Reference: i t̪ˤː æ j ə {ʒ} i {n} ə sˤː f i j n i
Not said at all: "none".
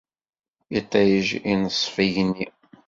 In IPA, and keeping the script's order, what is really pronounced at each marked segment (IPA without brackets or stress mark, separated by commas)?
ʒ, n